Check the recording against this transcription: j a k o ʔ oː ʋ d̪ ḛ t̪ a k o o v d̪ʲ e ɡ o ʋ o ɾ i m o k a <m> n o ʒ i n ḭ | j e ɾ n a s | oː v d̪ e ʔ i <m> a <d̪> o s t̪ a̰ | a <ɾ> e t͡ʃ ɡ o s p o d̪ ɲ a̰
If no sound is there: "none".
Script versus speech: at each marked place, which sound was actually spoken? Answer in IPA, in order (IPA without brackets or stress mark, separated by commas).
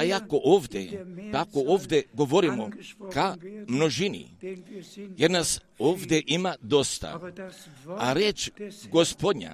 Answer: m, m, d̪, ɾ